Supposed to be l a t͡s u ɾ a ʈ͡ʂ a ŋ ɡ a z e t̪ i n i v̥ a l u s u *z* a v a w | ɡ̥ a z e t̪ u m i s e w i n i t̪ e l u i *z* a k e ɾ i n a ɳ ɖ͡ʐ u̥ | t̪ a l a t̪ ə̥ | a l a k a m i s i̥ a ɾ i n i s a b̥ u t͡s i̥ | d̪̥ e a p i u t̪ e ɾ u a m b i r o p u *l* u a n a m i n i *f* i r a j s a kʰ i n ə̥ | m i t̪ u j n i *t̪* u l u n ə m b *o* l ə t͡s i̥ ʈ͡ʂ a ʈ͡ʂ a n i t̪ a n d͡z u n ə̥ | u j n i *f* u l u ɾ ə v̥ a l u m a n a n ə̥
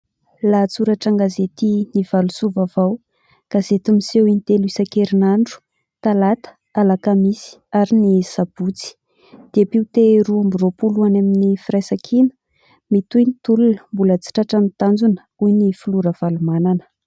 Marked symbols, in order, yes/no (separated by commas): no, no, yes, yes, yes, no, yes